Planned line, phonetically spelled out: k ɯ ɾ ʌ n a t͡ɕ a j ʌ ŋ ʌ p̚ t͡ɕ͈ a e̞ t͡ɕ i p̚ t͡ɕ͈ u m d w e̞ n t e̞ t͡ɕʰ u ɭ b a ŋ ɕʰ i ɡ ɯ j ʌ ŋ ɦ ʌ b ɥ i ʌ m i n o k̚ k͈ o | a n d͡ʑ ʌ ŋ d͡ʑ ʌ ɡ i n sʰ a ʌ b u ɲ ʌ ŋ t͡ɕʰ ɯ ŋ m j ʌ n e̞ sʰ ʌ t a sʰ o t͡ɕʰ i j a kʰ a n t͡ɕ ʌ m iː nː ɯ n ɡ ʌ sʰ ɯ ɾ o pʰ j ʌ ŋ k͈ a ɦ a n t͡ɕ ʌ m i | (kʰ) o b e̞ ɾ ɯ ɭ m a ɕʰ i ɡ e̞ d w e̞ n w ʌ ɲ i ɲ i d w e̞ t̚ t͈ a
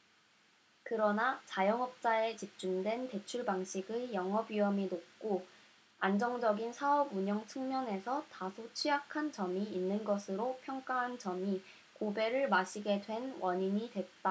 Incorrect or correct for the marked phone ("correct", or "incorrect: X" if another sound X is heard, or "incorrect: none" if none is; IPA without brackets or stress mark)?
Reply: incorrect: k